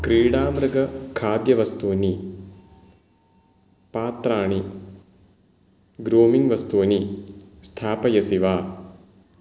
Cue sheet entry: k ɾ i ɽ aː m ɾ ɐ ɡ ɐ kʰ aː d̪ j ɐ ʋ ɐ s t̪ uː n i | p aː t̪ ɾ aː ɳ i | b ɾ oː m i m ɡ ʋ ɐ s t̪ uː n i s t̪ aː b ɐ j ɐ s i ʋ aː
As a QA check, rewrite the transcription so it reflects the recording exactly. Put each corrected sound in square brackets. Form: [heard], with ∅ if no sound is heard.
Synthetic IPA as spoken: k ɾ [iː] ɽ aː m ɾ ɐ ɡ ɐ kʰ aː d̪ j ɐ ʋ ɐ s t̪ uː n i | p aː t̪ ɾ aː ɳ i | [ɡ] ɾ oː m i [ŋ] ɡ ʋ ɐ s t̪ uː n i s [t̪ʰ] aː [p] ɐ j ɐ s i ʋ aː